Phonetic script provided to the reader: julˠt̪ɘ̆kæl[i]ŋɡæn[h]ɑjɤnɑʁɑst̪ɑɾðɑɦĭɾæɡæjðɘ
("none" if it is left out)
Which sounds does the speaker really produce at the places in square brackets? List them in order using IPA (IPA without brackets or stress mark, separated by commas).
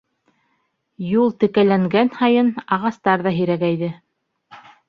æ, h